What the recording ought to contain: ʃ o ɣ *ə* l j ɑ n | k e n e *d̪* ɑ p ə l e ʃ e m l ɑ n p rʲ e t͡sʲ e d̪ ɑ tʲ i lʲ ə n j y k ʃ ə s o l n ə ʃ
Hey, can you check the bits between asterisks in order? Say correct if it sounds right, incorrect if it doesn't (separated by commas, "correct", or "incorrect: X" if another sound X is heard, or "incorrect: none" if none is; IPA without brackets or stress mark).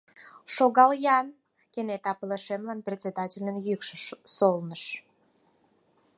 incorrect: ɑ, incorrect: t̪